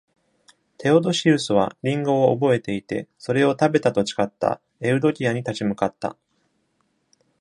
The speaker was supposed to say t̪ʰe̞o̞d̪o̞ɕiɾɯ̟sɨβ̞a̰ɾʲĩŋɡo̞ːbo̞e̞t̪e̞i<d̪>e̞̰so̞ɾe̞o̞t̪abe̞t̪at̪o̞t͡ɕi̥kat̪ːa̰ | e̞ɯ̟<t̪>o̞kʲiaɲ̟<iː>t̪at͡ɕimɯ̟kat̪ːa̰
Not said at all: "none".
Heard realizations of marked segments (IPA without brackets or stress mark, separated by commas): t̪, d̪, i